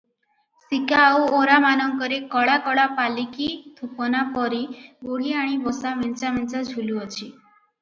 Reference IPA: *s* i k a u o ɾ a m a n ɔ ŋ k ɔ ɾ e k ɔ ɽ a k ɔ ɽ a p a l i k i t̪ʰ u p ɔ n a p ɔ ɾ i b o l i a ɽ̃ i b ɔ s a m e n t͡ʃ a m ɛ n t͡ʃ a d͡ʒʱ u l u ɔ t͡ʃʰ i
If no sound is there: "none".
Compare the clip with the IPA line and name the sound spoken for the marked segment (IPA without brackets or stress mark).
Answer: s